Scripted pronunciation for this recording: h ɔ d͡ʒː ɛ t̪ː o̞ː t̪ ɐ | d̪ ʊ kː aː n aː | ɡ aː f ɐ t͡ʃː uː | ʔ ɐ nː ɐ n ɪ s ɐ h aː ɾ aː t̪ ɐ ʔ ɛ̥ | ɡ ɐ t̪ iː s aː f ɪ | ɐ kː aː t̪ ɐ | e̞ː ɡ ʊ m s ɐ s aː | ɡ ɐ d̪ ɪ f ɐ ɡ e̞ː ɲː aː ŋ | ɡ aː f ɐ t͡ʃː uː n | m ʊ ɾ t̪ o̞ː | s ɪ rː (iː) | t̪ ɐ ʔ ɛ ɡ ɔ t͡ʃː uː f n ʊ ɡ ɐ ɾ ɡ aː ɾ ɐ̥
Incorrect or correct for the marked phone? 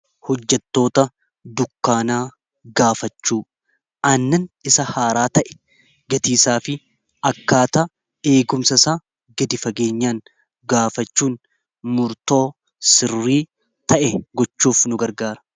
correct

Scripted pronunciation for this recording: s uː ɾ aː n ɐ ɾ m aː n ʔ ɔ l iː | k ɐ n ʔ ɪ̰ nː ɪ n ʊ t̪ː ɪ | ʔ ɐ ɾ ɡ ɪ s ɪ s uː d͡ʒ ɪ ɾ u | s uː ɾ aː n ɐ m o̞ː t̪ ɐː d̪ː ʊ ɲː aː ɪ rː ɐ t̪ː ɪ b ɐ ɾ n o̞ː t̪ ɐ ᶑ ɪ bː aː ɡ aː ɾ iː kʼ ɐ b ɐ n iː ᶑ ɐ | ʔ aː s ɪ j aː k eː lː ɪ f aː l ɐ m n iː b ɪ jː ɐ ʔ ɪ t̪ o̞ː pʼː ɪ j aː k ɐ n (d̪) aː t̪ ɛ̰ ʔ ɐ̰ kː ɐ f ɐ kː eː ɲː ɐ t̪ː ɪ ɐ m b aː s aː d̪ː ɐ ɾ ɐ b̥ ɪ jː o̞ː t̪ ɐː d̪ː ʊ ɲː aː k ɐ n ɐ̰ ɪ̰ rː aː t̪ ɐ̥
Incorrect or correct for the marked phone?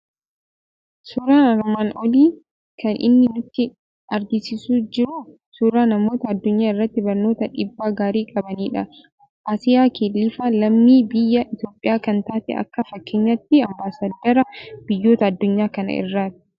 incorrect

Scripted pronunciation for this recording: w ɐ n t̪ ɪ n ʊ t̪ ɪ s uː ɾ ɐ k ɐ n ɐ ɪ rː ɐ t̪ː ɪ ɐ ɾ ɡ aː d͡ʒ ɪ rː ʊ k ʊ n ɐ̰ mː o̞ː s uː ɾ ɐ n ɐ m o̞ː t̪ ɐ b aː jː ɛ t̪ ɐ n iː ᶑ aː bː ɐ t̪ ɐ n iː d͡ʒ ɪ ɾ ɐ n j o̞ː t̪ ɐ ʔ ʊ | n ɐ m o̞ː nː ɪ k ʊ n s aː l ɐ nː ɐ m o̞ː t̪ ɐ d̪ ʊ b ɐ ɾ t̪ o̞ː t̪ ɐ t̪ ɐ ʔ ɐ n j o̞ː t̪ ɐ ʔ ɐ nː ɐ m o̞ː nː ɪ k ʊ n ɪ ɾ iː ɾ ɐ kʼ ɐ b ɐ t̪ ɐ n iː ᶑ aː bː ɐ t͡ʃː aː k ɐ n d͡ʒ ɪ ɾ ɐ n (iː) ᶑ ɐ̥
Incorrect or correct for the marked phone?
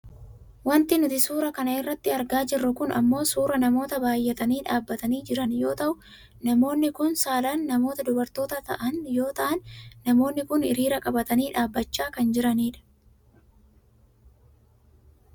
correct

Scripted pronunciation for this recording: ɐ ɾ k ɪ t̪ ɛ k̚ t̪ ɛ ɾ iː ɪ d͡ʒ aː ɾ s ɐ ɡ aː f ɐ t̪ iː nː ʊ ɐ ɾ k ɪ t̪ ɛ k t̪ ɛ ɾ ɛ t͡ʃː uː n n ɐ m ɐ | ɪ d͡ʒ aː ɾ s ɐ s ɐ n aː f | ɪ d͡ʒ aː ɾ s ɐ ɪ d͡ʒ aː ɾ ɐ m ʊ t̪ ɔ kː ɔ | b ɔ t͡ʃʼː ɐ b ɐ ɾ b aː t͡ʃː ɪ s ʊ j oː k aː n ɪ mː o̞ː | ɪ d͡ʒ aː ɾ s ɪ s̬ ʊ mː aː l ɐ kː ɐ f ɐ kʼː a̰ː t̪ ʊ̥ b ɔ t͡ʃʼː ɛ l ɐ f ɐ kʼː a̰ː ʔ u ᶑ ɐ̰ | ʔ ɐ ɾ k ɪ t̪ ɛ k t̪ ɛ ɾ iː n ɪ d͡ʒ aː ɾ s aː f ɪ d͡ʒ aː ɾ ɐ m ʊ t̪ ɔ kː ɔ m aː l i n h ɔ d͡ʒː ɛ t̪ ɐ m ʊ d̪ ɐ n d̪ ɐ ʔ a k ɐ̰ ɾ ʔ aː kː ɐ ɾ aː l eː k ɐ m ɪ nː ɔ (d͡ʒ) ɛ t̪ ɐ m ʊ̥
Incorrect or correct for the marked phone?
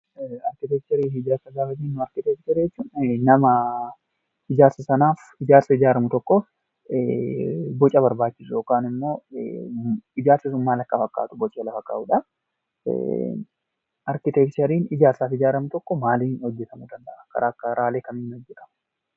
incorrect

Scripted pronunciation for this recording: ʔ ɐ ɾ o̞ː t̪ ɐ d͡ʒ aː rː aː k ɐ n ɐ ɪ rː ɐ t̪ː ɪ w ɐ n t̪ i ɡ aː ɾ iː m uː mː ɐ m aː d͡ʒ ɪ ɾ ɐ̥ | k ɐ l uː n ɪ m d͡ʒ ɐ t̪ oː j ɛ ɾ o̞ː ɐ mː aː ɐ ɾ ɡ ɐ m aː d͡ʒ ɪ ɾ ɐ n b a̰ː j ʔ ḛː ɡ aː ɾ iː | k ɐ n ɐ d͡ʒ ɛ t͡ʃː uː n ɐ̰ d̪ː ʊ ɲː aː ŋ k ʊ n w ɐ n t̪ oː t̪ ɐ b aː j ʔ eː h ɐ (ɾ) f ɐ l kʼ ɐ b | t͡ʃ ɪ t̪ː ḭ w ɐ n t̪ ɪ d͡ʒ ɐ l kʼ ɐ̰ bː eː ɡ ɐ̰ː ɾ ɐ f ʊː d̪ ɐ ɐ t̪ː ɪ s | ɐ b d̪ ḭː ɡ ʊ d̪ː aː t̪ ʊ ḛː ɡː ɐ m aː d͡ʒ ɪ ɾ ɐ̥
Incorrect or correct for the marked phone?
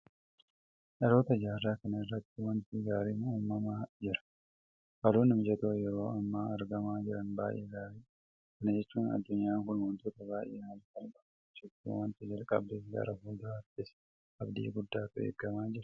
incorrect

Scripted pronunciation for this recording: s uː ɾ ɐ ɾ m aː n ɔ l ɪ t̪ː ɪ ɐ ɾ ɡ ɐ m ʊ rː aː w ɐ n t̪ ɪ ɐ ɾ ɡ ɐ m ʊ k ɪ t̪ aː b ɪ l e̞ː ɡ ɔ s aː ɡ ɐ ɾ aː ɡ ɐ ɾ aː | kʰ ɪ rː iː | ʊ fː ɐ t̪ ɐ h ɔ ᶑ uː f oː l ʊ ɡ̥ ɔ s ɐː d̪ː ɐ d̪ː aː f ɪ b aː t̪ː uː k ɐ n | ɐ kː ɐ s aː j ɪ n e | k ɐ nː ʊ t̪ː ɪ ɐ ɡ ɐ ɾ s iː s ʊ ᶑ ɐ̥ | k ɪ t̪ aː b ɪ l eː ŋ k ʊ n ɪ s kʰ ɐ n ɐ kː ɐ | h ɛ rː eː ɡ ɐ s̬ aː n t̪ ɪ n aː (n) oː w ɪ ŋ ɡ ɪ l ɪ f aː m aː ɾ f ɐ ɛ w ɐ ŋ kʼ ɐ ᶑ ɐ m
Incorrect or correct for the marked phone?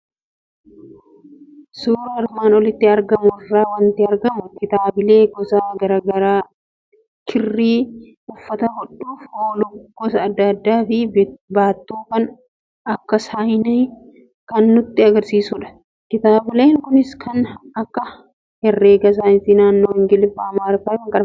incorrect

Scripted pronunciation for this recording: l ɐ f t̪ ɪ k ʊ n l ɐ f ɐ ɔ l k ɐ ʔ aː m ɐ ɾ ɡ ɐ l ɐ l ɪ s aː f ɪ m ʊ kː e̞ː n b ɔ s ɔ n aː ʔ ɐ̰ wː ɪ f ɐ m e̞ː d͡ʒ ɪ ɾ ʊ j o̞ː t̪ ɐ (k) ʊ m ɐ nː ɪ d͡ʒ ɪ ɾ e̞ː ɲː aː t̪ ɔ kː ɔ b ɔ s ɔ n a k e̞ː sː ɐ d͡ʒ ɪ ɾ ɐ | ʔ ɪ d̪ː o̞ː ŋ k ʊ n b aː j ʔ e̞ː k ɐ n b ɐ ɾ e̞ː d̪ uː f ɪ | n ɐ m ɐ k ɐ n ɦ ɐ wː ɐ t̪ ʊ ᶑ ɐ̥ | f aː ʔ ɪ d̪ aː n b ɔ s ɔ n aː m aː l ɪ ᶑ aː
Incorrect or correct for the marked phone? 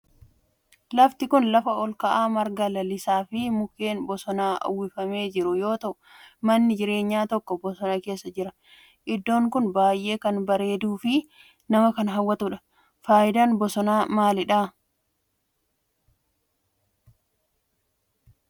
incorrect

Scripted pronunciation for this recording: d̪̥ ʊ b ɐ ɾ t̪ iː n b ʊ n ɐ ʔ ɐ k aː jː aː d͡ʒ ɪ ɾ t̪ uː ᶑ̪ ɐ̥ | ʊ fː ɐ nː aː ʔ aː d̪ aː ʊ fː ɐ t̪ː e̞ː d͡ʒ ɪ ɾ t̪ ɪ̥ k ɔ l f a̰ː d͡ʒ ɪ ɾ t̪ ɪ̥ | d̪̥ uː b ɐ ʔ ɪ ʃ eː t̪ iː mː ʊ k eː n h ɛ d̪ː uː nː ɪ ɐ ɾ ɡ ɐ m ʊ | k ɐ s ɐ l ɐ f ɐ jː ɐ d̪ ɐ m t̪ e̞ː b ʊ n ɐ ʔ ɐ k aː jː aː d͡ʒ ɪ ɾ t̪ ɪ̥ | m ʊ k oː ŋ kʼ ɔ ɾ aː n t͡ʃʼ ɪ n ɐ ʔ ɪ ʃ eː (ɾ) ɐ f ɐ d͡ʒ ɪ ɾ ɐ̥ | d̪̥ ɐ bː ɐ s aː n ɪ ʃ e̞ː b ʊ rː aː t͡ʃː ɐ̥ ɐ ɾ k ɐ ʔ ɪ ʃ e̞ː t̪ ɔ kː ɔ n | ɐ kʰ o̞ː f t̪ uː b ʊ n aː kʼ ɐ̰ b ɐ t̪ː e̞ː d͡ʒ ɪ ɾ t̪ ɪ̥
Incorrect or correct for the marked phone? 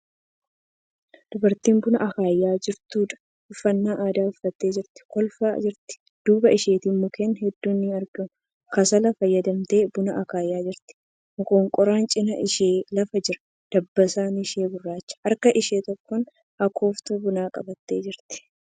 incorrect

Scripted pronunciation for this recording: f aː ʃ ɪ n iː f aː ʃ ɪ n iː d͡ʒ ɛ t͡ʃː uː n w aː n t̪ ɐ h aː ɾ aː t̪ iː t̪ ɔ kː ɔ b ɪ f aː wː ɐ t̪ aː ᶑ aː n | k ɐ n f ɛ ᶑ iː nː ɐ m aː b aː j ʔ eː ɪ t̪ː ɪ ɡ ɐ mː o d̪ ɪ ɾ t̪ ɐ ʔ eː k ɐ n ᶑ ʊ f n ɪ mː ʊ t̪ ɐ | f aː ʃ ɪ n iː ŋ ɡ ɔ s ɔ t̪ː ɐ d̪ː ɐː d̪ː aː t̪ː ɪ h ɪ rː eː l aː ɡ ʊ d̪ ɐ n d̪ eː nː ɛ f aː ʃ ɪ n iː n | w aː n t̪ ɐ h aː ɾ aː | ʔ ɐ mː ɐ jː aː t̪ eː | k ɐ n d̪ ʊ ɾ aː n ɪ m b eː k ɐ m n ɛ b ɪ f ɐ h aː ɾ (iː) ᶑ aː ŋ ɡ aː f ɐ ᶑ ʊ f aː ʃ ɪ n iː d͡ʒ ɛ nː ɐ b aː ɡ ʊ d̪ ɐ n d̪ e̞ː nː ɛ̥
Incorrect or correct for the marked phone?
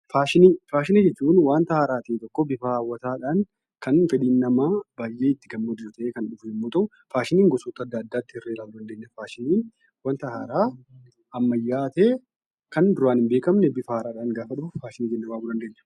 incorrect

